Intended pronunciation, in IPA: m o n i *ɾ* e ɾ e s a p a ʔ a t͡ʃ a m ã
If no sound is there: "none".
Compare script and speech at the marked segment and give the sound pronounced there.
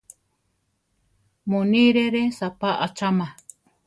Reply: ɾ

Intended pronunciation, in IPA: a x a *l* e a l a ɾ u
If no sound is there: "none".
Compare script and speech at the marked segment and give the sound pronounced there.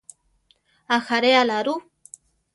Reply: ɾ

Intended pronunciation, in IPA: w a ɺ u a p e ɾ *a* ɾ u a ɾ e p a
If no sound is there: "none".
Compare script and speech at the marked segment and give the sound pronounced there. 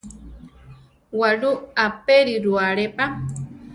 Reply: i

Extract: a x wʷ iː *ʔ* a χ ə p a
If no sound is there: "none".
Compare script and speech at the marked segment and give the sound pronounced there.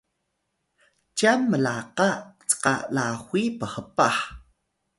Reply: p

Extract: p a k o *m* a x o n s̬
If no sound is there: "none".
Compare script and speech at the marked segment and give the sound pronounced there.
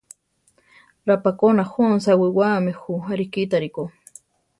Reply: n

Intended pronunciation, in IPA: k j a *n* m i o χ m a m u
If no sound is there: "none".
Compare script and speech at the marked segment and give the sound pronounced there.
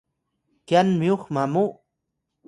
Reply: n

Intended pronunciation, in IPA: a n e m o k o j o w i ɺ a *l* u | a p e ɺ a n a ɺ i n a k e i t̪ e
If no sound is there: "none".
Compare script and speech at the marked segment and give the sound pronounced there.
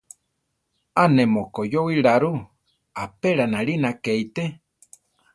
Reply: ɾ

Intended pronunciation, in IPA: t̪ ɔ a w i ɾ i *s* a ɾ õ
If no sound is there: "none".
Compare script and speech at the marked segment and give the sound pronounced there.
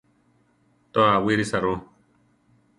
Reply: s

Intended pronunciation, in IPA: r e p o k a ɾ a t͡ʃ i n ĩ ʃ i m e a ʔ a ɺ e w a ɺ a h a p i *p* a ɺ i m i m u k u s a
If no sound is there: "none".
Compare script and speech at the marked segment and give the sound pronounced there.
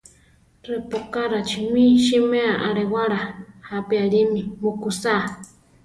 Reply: none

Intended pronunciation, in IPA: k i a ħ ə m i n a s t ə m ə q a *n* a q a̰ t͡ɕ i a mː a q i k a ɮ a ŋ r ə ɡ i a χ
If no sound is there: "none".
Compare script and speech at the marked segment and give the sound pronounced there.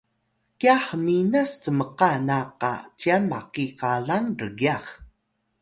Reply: n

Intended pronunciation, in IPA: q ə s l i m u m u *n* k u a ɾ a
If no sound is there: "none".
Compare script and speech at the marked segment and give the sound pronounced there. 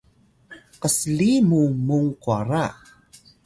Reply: ŋ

